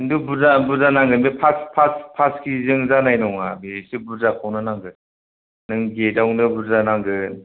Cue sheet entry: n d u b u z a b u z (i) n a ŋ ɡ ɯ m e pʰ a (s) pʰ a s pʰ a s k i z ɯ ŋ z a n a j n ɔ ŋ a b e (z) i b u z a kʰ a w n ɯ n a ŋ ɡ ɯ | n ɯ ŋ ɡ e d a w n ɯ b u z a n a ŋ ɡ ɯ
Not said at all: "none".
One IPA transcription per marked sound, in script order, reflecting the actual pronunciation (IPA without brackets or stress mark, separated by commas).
a, s, s